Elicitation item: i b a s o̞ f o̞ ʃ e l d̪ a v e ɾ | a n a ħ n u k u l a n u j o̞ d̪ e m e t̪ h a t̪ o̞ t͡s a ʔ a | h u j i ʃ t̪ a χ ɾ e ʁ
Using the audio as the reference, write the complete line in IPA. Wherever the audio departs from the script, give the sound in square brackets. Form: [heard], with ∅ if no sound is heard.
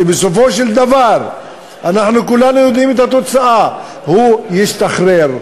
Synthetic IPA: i b [e] s o̞ f o̞ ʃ e l d̪ a v [a] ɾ | a n a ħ n u k u l a n u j o̞ d̪ [i] m e t̪ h a t̪ o̞ t͡s a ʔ a | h u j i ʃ t̪ a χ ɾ e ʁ

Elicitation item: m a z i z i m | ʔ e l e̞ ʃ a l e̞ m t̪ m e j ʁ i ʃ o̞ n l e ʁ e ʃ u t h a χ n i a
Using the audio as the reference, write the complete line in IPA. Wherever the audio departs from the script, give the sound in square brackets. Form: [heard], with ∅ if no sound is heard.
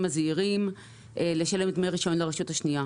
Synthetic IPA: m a z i [ʁ] i m | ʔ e l e̞ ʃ a l e̞ m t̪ m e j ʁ i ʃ o̞ n l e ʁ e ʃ u t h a [ʃ] n i a

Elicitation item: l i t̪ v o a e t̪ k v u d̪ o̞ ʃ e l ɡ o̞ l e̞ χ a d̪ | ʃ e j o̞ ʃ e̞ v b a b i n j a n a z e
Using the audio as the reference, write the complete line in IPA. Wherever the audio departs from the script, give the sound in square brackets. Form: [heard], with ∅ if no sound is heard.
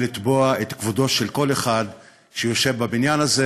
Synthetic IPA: l i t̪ [b] o a e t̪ k v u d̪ o̞ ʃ e l [k] o̞ l e̞ χ a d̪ | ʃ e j o̞ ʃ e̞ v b a b i n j a n a z e

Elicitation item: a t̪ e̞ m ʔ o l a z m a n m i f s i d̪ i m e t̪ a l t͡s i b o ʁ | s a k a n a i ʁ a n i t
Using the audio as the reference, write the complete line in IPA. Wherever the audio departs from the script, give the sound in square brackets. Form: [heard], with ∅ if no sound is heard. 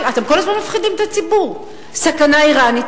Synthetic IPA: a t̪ e̞ m [k] o l a z m a n m [a] f [χ] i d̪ i m e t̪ a [∅] t͡s i b [u] ʁ | s a k a n a i ʁ a n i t

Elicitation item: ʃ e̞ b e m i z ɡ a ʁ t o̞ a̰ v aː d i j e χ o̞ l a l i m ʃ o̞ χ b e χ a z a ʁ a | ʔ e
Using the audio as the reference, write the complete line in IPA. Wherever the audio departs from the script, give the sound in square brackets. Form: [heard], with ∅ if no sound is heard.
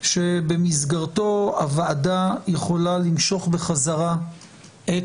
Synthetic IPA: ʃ e̞ b e m i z ɡ a ʁ t o̞ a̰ v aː d [a] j e χ o̞ l a l i m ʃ o̞ χ b e χ a z a ʁ a | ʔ e

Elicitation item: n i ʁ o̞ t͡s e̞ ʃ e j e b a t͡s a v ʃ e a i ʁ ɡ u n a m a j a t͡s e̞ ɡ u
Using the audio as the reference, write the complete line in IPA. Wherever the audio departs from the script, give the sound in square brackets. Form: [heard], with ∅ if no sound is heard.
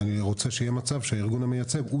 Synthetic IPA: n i ʁ o̞ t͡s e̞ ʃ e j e [m] a t͡s a v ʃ e a i ʁ ɡ u n a m [e] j a t͡s e̞ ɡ u

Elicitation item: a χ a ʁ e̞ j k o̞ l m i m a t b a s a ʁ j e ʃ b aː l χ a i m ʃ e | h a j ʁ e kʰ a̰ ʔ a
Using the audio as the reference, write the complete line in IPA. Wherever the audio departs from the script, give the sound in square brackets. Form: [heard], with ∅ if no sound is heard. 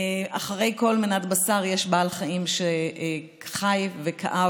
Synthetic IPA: a χ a ʁ e̞ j k o̞ l m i [n] a t b a s a ʁ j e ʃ b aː l χ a i m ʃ e | [χ] a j [v] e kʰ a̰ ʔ a

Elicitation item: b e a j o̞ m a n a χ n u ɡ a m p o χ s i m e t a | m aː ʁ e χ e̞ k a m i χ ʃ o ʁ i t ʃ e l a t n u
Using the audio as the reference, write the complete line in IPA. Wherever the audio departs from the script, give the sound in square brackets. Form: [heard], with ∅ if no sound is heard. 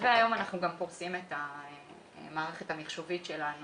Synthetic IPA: [v] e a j o̞ m a n a χ n u ɡ a m p o [ʁ] s i m e t a | m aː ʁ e χ e̞ [t] a m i χ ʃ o [v] i t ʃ e l a [∅] n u

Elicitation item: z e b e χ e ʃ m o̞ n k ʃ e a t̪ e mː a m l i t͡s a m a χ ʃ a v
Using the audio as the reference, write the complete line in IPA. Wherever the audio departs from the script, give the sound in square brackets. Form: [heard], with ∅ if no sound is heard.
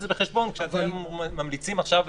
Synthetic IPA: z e b e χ e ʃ [b] o̞ n k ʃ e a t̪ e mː a m l i t͡s [i] m a χ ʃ a v

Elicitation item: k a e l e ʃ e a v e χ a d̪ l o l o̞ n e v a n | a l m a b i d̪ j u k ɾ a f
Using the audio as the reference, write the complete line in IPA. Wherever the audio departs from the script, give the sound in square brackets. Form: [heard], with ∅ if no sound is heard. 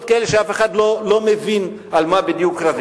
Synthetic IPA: k a e l e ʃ e a [f] e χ a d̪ l o l o̞ [m] e v [i] n | a l m a b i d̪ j u k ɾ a [v]

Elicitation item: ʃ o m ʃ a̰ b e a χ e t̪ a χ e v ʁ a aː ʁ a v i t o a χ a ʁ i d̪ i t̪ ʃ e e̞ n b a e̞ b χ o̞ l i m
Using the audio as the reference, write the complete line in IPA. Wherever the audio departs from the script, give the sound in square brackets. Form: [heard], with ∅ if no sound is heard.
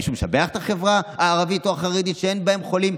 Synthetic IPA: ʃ [u] m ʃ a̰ b e a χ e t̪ a χ e v ʁ a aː ʁ a v i t o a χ a ʁ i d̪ i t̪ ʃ e e̞ n b a e̞ [m] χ o̞ l i m

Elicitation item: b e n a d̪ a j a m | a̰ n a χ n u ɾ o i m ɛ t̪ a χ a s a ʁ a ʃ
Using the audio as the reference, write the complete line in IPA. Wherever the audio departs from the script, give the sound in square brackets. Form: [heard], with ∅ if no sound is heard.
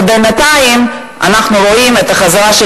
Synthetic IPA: b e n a [t̪] a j [i] m | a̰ n a χ n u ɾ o i m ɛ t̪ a χ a [z] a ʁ a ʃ

